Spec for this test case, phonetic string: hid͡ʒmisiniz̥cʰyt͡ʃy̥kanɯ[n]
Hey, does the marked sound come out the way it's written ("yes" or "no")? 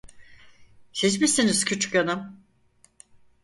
no